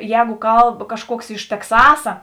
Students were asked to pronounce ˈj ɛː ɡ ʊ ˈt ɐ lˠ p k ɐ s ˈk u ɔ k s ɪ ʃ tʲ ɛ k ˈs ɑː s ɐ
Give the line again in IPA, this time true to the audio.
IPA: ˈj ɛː ɡ ʊ ˈk ɐ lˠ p k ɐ ʃ ˈk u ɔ k s ɪ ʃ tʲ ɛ k ˈs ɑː s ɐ